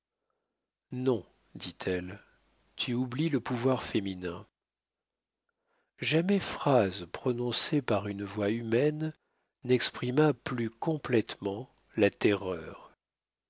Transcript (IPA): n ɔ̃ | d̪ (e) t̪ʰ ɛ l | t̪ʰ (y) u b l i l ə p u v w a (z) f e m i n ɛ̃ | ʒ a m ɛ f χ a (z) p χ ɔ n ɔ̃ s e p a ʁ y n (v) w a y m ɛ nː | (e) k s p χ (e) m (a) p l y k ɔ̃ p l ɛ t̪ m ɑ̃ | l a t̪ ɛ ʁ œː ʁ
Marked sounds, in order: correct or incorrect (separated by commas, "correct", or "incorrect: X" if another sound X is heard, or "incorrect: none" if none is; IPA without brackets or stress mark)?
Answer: incorrect: i, correct, incorrect: ʁ, correct, correct, incorrect: ɛ, incorrect: i, correct